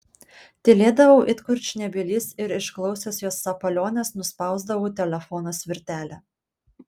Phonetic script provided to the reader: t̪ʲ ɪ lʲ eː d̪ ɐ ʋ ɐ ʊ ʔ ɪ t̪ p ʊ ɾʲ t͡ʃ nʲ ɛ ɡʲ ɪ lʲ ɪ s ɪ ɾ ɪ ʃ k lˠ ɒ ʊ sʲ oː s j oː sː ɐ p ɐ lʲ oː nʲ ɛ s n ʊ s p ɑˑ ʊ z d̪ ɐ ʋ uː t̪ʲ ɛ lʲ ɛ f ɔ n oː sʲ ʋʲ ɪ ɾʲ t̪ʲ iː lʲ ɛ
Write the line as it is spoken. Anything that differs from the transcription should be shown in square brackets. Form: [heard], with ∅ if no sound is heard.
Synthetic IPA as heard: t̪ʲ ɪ lʲ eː d̪ ɐ ʋ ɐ ʊ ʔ ɪ t̪ [k] ʊ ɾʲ t͡ʃ nʲ ɛ [bʲ] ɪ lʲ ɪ s ɪ ɾ ɪ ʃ k lˠ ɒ ʊ sʲ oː s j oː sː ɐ p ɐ lʲ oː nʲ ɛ s n ʊ s p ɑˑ ʊ z d̪ ɐ ʋ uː t̪ʲ ɛ lʲ ɛ f ɔ n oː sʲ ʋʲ ɪ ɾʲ t̪ʲ [æː] lʲ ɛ